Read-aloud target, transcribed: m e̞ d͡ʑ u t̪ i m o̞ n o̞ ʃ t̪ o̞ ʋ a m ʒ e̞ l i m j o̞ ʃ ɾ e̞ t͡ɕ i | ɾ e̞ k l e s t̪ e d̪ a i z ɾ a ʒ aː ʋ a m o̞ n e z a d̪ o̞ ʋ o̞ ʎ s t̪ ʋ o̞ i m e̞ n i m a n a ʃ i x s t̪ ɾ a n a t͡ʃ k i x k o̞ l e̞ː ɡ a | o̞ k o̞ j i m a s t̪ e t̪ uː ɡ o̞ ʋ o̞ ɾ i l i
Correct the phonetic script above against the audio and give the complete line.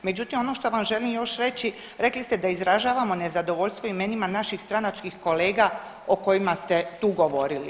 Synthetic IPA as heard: m e̞ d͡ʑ u t̪ i m o̞ n o̞ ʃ t̪ o̞ ʋ a m ʒ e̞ l i m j o̞ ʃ ɾ e̞ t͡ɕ i | ɾ e̞ k l i s t̪ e d̪ a i z ɾ a ʒ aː ʋ a m o̞ n e z a d̪ o̞ ʋ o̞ ʎ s t̪ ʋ o̞ i m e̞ n i m a n a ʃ i x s t̪ ɾ a n a t͡ʃ k i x k o̞ l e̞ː ɡ a | o̞ k o̞ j i m a s t̪ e t̪ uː ɡ o̞ ʋ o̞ ɾ i l i